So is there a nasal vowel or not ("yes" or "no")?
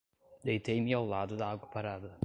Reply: no